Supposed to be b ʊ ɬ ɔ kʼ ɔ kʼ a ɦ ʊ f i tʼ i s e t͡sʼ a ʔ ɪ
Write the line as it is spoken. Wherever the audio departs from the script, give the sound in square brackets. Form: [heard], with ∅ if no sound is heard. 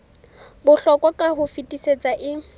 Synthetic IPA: b ʊ ɬ ɔ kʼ ɔ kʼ a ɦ ʊ f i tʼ i s e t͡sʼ a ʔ ɪ